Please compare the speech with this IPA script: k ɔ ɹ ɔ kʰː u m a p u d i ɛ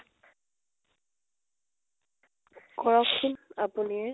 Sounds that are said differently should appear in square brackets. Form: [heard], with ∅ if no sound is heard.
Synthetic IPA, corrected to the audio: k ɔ ɹ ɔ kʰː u [n] a p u [n] i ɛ

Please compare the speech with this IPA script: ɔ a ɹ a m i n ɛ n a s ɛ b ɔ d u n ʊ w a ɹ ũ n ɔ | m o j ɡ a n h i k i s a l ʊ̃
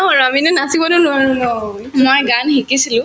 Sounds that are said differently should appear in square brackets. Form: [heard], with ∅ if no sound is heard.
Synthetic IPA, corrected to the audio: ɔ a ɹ a m i n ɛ n a s [i] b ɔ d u n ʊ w a ɹ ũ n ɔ | m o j ɡ a n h i k i s [i] l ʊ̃

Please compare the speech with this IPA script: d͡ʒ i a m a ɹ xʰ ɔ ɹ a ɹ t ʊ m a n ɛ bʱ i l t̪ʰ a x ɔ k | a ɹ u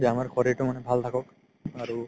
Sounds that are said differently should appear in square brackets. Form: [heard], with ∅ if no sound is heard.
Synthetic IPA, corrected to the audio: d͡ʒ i a m a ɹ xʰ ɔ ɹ [i] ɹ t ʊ m a n ɛ bʱ [a] l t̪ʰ a [k] ɔ k | a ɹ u

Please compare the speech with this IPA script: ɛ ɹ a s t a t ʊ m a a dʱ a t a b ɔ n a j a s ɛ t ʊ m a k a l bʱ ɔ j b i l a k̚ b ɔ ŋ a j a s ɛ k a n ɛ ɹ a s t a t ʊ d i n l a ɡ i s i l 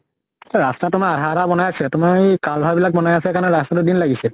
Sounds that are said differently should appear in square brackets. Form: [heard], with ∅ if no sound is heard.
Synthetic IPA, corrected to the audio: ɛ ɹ a s t a t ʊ m a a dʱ a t a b ɔ n a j a s ɛ t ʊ m a k a l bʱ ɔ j b i l a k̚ b ɔ [n] a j a s ɛ k a n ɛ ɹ a s t a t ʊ d i n l a ɡ i s i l

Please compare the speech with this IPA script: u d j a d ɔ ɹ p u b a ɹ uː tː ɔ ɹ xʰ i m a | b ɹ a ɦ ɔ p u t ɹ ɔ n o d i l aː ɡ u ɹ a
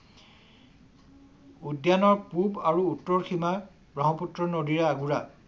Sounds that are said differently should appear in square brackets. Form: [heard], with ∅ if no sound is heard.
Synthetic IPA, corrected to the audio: u d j a [n] ɔ ɹ p u b a ɹ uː tː ɔ ɹ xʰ i m a | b ɹ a ɦ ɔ p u t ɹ ɔ n o d i [ɹ] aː ɡ u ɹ a

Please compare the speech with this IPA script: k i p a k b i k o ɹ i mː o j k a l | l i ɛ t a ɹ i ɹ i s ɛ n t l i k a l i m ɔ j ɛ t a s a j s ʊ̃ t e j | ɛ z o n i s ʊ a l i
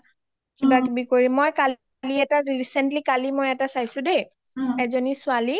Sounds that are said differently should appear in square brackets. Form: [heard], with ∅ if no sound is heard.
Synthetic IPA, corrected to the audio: k i [b] a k b i k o ɹ i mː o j k a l | l i ɛ t a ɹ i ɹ i s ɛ n t l i k a l i m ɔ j ɛ t a s a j s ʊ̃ [d] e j | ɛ z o n i s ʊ a l i

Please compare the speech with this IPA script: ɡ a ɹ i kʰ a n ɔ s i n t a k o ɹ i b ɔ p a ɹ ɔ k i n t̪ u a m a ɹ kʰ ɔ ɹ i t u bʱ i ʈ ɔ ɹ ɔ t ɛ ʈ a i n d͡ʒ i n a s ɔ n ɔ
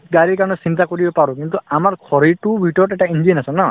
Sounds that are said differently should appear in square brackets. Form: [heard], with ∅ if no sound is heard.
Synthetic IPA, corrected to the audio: ɡ a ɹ i [k] a n ɔ s i n t a k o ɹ i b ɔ p a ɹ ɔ k i n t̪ u a m a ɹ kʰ ɔ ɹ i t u bʱ i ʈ ɔ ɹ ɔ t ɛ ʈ a i n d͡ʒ i n a s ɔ n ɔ

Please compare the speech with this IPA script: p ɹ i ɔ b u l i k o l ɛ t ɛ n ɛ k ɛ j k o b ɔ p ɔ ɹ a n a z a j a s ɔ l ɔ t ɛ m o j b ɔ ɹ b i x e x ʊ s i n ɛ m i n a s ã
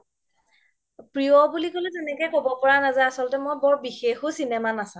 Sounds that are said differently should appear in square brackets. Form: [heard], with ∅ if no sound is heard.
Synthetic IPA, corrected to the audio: p ɹ i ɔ b u l i k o l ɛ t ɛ n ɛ k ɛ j k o b ɔ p ɔ ɹ a n a z a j a s ɔ l ɔ t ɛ m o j b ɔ ɹ b i x e x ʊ s i n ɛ m [a] n a s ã

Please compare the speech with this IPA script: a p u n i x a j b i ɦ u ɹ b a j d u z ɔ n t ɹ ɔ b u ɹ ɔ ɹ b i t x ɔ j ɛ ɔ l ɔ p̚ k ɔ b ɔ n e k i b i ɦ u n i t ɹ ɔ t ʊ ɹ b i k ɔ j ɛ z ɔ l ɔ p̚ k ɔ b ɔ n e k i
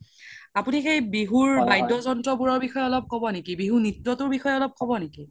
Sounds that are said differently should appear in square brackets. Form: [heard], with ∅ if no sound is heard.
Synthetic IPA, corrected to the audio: a p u n i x [e] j b i ɦ u ɹ b a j d [ɔ] z ɔ n t ɹ ɔ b u ɹ ɔ ɹ b i [∅] x ɔ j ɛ ɔ l ɔ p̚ k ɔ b ɔ n e k i b i ɦ u n i t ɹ ɔ t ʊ ɹ b i [x] ɔ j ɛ [∅] ɔ l ɔ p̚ k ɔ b ɔ n e k i

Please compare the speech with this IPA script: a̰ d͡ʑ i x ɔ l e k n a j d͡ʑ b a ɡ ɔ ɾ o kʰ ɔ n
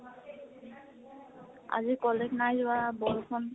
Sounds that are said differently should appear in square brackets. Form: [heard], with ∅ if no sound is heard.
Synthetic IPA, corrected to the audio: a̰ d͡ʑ i [k] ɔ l e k n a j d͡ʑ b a [b] ɔ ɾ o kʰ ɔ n

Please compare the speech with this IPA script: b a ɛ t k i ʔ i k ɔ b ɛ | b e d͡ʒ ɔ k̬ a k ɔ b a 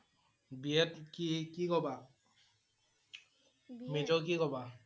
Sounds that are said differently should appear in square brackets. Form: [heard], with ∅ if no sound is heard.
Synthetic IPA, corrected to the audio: b [i] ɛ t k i [k] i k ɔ b [a] | [m] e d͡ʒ ɔ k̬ [i] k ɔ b a

